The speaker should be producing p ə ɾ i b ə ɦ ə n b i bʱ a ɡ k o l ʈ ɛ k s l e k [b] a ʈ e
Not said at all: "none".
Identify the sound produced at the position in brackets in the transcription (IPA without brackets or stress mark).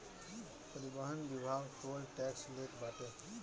b